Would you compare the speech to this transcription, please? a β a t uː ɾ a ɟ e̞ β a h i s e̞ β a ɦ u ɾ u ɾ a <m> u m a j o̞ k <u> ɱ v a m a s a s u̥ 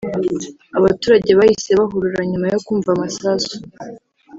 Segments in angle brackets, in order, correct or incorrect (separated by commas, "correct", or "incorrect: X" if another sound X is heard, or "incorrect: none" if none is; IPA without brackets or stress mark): incorrect: ɲ, incorrect: uː